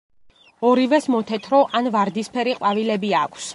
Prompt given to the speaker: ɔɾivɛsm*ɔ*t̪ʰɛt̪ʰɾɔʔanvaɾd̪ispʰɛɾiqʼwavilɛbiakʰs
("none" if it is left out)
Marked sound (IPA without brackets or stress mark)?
ɔ